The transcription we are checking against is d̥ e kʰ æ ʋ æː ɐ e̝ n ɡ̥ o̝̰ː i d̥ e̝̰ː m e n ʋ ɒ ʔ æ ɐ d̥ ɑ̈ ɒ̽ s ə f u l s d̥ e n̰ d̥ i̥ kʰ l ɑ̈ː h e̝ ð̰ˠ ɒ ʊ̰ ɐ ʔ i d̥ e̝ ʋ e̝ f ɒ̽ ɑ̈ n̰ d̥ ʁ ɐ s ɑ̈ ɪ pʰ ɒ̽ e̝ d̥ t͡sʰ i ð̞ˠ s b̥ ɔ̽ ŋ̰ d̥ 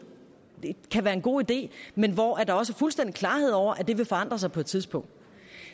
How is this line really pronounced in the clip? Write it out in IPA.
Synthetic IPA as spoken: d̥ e kʰ æ ʋ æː ɐ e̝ n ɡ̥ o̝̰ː i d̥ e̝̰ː m e n ʋ ɒ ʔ æ ɐ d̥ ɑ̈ ɒ̽ s ə f u l s d̥ e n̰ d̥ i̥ kʰ l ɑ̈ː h e̝ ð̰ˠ ɒ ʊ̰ ɐ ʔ æ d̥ e̝ ʋ e̝ f ɒ̽ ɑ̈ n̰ d̥ ʁ ɐ s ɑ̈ ɪ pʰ ɒ̽ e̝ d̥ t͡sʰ i ð̞ˠ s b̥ ɔ̽ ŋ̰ d̥